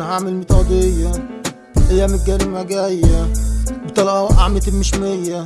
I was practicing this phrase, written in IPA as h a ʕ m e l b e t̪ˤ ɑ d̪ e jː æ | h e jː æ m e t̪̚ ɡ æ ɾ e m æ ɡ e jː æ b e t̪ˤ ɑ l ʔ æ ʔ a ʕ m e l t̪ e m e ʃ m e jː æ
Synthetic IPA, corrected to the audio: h a ʕ m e l m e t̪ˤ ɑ d̪ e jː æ | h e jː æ m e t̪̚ ɡ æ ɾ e m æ ɡ æ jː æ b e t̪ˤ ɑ l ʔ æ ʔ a ʕ m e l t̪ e m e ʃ m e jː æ